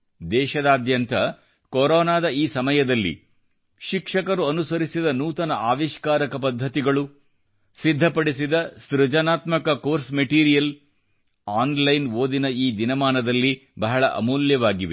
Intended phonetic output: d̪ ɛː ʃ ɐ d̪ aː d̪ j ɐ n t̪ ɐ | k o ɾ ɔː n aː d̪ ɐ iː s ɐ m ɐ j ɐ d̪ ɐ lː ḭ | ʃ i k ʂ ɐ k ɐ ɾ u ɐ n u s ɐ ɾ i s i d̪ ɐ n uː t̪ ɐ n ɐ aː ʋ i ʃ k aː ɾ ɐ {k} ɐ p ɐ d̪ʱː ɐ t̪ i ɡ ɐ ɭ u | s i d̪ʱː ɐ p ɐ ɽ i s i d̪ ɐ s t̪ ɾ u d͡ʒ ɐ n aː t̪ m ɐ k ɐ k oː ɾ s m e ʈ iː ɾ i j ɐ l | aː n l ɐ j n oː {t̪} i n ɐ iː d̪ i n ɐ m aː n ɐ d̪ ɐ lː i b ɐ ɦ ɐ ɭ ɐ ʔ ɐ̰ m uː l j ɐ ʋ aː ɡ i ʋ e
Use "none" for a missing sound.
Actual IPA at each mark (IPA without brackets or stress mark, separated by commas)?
k, d̪